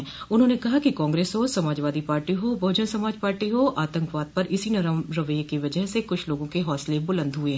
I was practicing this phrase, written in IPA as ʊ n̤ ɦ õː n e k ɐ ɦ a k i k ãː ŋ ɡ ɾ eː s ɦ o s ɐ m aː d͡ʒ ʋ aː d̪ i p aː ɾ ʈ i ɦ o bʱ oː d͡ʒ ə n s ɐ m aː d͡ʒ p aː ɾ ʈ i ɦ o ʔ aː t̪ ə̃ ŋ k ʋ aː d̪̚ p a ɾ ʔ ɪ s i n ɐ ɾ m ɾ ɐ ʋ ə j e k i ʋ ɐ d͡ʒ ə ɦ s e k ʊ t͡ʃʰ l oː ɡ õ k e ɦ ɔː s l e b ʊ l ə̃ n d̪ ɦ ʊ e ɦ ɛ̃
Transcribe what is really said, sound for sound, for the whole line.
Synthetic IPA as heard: ʊ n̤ ɦ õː n e k ɐ ɦ a k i k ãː ŋ ɡ ɾ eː s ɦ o s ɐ m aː d͡ʒ ʋ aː d̪ i p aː ɾ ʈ i ɦ o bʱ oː d͡ʒ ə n s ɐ m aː d͡ʒ p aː ɾ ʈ i ɦ o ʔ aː t̪ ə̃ ŋ k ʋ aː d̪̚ p ɐ ɾ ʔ ɪ s i n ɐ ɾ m ɾ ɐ ʋ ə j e k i ʋ ɐ d͡ʒ ə ɦ s e k ʊ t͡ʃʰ l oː ɡ õ k e ɦ ɔː s l e b ʊ l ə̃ n d̪ ɦ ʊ e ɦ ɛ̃